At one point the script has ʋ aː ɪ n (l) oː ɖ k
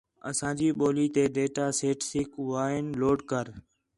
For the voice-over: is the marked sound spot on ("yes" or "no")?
yes